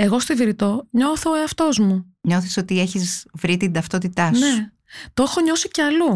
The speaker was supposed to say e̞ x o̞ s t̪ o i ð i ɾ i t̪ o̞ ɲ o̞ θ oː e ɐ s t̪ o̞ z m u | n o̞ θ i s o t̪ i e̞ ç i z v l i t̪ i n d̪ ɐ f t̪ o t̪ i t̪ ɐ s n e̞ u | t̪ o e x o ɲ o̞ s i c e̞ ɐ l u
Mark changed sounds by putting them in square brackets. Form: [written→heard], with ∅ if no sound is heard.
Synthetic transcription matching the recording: e̞ [x→ɣ] o̞ s t̪ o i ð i ɾ i t̪ o̞ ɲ o̞ θ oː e ɐ [s→f] t̪ o̞ z m u | [n→ɲ] o̞ θ i s o t̪ i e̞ ç i z v [l→ɾ] i t̪ i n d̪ ɐ f t̪ o t̪ i t̪ ɐ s n e̞ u | t̪ o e x o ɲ o̞ s i c e̞ ɐ l u